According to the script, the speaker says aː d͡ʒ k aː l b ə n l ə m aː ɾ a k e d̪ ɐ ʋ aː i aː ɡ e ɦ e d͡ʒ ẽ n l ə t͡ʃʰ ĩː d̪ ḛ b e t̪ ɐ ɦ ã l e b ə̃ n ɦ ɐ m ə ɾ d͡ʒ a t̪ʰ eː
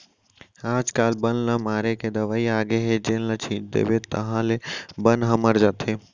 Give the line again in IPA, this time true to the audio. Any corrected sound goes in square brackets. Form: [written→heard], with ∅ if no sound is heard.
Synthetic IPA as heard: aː d͡ʒ k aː l b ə n l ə m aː ɾ [a→e] k e d̪ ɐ ʋ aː i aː ɡ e ɦ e d͡ʒ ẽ n l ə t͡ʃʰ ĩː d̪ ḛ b e t̪ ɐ ɦ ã l e b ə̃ n ɦ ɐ m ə ɾ d͡ʒ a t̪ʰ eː

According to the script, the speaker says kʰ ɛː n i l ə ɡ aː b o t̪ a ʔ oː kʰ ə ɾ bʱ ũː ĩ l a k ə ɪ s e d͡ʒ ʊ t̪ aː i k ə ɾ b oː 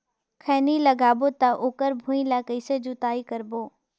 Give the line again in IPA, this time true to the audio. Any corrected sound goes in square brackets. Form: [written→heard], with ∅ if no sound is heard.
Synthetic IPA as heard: kʰ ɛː n i l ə ɡ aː b o t̪ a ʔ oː [kʰ→k] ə ɾ bʱ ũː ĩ l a k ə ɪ s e d͡ʒ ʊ t̪ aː i k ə ɾ b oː

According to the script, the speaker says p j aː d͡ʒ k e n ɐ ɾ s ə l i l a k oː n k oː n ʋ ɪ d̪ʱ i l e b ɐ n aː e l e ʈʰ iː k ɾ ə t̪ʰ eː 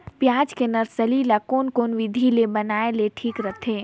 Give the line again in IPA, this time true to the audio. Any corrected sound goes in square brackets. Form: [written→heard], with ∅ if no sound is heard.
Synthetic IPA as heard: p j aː d͡ʒ k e n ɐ ɾ s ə l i l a k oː n k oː n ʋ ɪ d̪ʱ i l e b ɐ n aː e l e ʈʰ iː k ɾ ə t̪ʰ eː

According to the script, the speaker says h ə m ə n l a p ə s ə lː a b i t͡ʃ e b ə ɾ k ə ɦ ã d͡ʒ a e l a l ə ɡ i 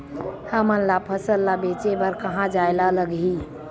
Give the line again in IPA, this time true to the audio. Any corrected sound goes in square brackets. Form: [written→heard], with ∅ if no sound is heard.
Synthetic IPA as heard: h ə m ə n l a [p→pʰ] ə s ə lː a b [i→e] t͡ʃ e b ə ɾ k ə ɦ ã d͡ʒ a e l a l ə ɡ i

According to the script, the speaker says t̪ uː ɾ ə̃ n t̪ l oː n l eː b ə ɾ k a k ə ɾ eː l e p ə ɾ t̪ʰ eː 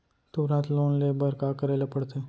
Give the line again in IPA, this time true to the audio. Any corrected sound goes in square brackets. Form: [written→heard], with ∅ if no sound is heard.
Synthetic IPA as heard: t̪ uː ɾ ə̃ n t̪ l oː n l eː b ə ɾ k a k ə ɾ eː l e p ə [ɾ→ɽ] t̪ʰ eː

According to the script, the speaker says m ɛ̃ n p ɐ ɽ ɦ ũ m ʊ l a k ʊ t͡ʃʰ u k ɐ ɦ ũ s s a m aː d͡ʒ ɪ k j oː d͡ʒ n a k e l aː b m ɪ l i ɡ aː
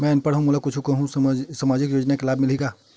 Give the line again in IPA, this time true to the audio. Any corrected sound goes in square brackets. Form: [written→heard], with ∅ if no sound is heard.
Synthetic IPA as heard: m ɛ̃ n p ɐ ɽ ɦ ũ m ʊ l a k ʊ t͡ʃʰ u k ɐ ɦ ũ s s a m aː d͡ʒ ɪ k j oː d͡ʒ n a k e l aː b m ɪ l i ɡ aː

